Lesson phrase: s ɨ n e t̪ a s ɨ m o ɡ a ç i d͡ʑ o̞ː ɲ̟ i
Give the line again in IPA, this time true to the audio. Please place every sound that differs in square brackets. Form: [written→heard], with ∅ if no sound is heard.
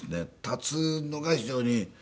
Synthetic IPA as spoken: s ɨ n e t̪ a [s→t͡s] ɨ [m→n] o ɡ a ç i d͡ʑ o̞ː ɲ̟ i